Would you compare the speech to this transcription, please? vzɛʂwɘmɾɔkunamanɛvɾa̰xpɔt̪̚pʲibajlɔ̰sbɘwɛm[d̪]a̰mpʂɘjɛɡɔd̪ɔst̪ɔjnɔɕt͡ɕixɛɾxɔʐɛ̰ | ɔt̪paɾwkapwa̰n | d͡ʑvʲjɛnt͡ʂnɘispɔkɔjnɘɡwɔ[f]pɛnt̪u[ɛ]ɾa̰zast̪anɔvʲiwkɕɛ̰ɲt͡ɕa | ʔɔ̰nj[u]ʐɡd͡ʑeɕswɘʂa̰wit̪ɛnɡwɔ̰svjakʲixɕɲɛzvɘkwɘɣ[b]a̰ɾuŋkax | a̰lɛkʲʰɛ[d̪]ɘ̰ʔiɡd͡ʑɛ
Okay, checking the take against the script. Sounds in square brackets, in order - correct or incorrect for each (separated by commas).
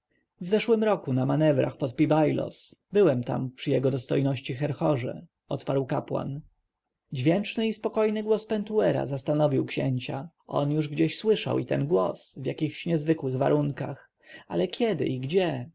incorrect, incorrect, correct, correct, incorrect, correct